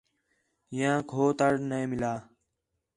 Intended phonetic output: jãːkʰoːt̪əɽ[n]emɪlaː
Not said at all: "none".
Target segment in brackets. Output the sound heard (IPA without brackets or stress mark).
n